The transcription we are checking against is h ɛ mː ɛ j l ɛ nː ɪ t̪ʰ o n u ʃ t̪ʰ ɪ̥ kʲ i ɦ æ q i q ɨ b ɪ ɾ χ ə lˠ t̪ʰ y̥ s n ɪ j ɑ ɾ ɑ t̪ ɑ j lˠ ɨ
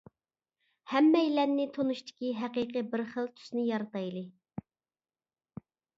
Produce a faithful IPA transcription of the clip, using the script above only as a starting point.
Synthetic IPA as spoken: h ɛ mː ɛ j l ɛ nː ɪ t̪ʰ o n u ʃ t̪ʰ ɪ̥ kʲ i ɦ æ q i q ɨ b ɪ ɾ χ ə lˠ t̪ʰ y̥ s n ɪ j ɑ ɾ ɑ t̪ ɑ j lˠ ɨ